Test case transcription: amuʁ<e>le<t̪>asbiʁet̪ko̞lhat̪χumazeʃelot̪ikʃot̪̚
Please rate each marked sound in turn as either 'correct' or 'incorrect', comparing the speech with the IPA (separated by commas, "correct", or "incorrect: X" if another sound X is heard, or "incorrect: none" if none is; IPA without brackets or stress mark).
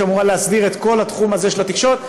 incorrect: a, incorrect: none